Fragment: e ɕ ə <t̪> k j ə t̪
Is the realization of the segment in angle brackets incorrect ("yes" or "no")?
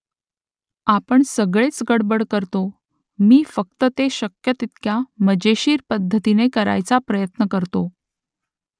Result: yes